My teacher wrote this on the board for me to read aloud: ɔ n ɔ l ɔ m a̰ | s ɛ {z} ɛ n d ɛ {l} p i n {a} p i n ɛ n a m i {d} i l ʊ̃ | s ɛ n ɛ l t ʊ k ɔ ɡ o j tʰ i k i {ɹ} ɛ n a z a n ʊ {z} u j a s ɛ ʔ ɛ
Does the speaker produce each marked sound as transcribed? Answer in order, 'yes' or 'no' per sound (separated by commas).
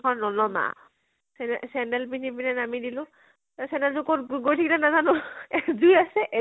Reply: no, yes, no, yes, no, yes